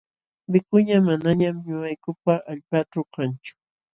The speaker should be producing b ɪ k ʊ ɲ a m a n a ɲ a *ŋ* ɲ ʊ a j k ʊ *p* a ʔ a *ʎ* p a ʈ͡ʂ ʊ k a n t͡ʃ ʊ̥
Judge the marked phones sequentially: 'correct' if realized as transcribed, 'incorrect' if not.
incorrect: m, correct, correct

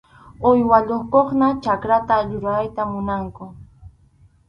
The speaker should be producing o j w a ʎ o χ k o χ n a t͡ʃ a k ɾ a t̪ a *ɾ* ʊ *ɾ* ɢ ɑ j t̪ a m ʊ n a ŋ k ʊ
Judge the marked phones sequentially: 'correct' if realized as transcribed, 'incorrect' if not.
incorrect: ʎ, correct

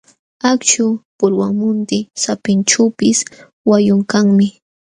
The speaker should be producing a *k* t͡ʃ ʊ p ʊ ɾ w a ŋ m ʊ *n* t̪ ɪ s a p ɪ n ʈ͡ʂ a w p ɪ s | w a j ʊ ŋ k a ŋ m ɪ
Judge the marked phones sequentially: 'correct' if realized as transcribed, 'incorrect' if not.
correct, correct

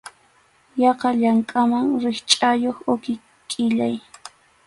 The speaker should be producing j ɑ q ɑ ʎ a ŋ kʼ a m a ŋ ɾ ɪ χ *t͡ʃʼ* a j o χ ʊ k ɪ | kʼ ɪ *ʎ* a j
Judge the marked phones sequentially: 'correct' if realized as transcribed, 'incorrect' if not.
correct, correct

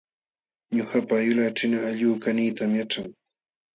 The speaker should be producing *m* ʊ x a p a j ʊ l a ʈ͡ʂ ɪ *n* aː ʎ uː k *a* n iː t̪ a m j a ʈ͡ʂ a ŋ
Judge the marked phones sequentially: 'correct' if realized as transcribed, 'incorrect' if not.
incorrect: ɲ, correct, correct

